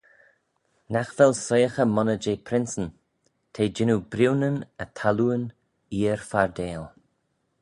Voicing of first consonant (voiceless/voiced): voiced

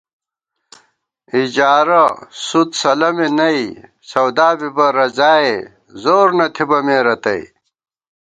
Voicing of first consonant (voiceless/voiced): voiced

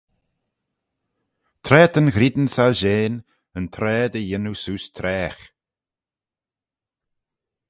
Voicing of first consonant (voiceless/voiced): voiceless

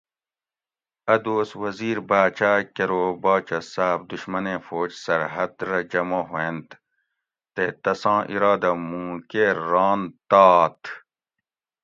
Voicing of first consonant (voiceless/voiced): voiced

